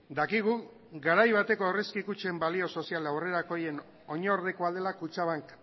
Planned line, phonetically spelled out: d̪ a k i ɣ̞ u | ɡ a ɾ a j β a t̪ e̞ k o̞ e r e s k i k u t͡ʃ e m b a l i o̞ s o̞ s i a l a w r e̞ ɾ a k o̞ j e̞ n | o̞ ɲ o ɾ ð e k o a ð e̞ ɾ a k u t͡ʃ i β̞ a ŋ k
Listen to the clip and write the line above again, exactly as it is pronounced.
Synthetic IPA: d̪ a k i ɣ̞ u | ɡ a ɾ a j β a t̪ e̞ k o̞ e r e s k i k u t͡ʃ e m b a l i o̞ s o̞ s i a l a w r e̞ ɾ a k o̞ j e̞ n | o̞ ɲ o ɾ ð e k o a ð e̞ l a k u t͡ʃ a β̞ a ŋ k